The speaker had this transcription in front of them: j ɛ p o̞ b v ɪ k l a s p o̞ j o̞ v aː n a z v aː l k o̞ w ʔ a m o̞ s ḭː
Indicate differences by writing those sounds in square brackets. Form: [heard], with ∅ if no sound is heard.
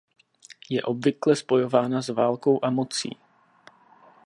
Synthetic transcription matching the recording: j ɛ [ʔ] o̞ b v ɪ k l [ɛ] s p o̞ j o̞ v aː n a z v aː l k o̞ w ʔ a m o̞ [t͡s] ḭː